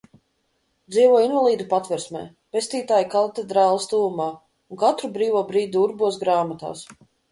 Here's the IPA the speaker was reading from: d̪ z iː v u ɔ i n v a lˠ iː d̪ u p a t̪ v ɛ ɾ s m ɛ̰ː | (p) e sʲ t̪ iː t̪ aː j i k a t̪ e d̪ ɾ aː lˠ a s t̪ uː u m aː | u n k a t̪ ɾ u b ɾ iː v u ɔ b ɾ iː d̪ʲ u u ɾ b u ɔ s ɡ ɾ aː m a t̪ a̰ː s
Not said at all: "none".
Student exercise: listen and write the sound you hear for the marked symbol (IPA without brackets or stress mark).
p